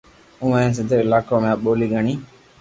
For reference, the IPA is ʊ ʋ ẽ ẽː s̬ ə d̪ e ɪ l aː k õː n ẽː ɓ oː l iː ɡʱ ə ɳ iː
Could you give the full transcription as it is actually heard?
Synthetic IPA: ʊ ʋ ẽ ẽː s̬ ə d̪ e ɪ l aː k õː m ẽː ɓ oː l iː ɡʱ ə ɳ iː